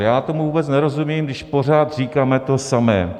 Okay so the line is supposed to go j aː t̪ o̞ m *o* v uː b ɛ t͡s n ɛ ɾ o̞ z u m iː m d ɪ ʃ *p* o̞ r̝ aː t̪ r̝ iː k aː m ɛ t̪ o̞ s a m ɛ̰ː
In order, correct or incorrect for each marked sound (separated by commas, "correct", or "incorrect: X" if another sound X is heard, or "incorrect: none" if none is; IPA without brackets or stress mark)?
incorrect: u, correct